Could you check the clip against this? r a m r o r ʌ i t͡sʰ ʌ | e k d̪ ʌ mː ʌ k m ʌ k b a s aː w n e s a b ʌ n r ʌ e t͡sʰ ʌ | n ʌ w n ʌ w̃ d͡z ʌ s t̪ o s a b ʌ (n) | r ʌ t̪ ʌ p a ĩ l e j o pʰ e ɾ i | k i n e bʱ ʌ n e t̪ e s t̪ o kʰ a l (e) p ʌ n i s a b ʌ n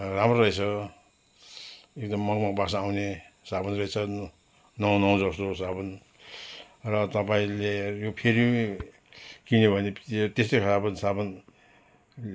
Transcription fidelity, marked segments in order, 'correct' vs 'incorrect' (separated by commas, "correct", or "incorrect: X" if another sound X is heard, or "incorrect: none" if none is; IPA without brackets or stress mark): correct, incorrect: a